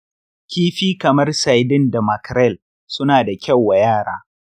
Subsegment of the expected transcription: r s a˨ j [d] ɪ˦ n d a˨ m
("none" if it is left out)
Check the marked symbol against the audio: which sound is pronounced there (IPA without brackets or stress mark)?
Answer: d